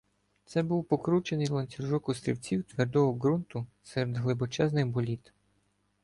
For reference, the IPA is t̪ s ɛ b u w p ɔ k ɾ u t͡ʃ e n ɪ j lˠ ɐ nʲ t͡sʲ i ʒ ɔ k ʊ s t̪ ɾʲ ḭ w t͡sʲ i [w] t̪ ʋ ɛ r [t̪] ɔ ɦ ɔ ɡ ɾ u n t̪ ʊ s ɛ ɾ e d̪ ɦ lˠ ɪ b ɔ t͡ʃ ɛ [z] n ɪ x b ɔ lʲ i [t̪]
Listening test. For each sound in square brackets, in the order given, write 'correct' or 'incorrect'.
correct, incorrect, correct, correct

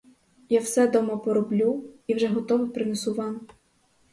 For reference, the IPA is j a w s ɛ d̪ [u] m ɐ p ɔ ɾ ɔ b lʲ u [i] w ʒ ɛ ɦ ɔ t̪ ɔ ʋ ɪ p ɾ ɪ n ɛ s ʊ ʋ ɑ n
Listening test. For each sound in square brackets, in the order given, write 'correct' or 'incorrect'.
incorrect, correct

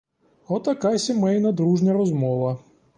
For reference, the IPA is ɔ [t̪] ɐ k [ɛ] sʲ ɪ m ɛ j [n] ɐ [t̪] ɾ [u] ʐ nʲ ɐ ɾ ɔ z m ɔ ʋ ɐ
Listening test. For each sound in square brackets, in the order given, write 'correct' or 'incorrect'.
correct, incorrect, correct, incorrect, correct

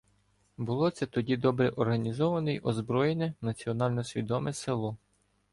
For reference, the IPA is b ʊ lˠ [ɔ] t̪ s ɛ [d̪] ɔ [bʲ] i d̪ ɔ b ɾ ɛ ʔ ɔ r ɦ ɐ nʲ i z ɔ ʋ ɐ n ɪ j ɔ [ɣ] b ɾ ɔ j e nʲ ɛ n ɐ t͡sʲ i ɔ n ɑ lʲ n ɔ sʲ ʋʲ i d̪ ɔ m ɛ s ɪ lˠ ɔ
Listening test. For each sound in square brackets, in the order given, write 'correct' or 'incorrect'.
correct, incorrect, incorrect, incorrect

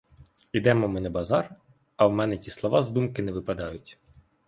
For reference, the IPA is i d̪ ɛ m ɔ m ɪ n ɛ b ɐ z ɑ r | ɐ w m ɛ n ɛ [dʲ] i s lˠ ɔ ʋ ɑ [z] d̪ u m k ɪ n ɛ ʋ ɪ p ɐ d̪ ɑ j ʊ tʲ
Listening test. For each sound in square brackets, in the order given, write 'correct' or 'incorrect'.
incorrect, correct

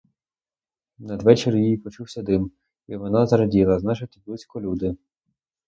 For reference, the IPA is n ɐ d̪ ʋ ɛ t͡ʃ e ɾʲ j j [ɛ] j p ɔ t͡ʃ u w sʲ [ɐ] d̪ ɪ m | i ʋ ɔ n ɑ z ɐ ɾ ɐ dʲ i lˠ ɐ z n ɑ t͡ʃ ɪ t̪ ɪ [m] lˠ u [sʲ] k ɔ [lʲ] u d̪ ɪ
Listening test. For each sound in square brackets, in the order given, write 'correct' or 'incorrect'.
incorrect, correct, incorrect, correct, correct

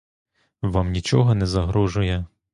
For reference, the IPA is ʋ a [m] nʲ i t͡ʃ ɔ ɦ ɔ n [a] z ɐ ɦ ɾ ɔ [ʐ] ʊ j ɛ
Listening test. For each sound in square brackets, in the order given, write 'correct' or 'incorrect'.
correct, incorrect, incorrect

